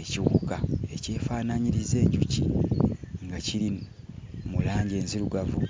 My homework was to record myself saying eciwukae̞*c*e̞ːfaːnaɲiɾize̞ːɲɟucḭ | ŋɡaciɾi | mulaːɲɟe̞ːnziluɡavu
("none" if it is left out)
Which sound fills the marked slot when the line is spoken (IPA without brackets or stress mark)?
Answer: c